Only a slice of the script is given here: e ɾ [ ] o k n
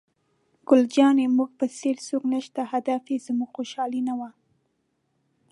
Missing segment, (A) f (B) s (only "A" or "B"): B